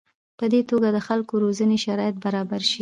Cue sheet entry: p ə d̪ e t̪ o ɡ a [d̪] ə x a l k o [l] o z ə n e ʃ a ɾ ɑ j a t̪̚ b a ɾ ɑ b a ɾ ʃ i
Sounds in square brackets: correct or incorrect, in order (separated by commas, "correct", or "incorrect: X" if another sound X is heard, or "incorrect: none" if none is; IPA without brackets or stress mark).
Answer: correct, incorrect: ɾ